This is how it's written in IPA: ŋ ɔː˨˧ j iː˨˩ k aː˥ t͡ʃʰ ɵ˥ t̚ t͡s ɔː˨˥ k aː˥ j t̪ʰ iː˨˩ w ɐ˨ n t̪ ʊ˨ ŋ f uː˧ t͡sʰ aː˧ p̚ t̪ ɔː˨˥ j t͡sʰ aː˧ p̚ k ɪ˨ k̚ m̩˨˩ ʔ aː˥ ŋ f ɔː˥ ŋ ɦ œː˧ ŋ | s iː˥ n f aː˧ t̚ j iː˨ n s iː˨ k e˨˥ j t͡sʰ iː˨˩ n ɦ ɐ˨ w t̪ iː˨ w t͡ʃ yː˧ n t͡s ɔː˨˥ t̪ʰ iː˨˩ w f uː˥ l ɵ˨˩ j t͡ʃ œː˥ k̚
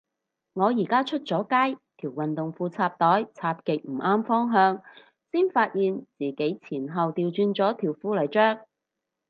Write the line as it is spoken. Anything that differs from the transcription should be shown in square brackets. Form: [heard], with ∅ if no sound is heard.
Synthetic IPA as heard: ŋ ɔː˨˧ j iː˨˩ k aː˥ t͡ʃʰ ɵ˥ t̚ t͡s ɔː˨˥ k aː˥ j t̪ʰ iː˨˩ w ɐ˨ n t̪ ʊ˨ ŋ f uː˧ t͡sʰ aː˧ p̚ t̪ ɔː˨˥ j t͡sʰ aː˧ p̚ k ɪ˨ k̚ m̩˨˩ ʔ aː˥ [m] f ɔː˥ ŋ ɦ œː˧ ŋ | s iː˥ n f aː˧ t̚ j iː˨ n [t͡s] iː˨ k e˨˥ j t͡sʰ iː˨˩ n ɦ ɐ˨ w t̪ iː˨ w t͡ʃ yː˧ n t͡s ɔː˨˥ t̪ʰ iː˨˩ w f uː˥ l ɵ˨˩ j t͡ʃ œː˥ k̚